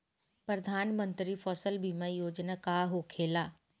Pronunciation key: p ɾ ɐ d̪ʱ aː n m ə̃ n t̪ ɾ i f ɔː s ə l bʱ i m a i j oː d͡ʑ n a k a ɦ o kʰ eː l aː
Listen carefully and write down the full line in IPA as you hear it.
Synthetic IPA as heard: p ɾ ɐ d̪ʱ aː n m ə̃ n t̪ ɾ i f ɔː s ə l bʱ i m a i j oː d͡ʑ n a k a ɦ o kʰ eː l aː